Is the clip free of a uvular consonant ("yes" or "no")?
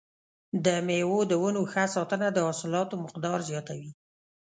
no